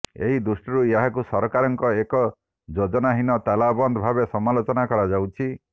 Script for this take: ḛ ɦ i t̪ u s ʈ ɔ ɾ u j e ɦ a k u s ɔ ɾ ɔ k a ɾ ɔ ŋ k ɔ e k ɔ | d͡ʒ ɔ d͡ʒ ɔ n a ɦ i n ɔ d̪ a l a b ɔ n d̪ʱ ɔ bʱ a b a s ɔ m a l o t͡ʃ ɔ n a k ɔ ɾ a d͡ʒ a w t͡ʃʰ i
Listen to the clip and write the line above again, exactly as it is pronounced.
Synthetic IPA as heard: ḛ ɦ i d̪ u s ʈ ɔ ɾ u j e ɦ a k u s ɔ ɾ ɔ k a ɾ ɔ ŋ k ɔ e k ɔ | d͡ʒ o d͡ʒ ɔ n a ɦ i n ɔ t̪ a l a b ɔ n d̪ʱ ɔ bʱ a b e s ɔ m a l o t͡ʃ ɔ n a k ɔ ɾ a d͡ʒ a w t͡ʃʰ i